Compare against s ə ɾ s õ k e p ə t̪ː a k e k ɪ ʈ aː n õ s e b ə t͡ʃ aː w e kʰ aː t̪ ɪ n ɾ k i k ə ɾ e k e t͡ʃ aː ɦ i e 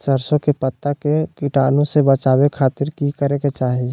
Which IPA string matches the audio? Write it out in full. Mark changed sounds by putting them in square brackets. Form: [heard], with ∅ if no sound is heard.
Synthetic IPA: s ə ɾ s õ k e p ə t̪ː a k e k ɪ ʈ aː n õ s e b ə t͡ʃ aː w e kʰ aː t̪ ɪ [∅] ɾ k i k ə ɾ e k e t͡ʃ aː ɦ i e